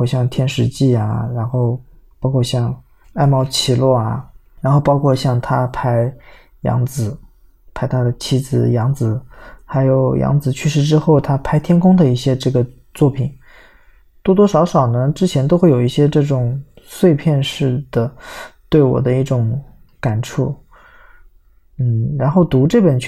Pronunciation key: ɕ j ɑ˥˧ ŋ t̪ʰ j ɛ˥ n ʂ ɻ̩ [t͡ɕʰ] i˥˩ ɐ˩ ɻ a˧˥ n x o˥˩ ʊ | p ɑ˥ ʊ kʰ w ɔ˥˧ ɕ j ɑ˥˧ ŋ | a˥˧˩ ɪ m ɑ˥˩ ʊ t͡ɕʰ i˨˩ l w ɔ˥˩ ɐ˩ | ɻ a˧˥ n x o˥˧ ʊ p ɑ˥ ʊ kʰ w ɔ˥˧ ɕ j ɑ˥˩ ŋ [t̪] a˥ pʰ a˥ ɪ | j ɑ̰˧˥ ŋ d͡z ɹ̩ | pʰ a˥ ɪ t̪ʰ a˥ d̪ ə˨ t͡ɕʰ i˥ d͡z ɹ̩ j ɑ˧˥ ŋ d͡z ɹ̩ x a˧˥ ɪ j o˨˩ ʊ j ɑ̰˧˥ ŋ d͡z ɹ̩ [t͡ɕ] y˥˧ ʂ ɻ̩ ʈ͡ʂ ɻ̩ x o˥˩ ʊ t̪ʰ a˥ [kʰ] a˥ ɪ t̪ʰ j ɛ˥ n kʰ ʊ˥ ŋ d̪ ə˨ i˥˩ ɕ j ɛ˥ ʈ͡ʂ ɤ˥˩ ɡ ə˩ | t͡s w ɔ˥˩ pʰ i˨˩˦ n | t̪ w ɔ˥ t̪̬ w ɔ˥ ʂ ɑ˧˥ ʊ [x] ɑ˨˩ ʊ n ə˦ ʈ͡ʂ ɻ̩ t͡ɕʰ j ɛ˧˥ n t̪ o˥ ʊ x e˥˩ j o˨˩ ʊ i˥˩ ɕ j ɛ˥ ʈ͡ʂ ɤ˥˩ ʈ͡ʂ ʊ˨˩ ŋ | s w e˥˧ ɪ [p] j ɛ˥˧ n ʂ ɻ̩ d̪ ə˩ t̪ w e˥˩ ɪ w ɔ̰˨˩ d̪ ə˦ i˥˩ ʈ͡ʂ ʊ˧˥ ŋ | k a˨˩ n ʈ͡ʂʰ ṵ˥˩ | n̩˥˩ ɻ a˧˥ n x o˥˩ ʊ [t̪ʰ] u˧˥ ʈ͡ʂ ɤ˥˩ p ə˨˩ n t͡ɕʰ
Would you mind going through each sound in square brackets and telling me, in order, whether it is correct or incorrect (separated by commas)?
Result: incorrect, incorrect, incorrect, incorrect, incorrect, incorrect, incorrect